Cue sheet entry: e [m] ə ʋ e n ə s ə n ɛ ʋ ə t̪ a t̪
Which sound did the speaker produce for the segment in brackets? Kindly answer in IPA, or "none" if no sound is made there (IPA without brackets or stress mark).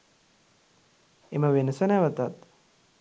m